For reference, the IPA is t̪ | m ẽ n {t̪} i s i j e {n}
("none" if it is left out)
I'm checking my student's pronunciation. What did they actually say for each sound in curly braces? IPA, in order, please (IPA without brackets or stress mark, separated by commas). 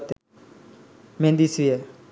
d̪, none